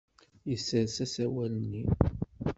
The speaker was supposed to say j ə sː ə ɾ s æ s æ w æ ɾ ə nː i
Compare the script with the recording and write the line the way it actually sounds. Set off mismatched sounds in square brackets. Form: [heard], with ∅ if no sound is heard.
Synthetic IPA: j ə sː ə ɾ s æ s æ w æ [l] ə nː i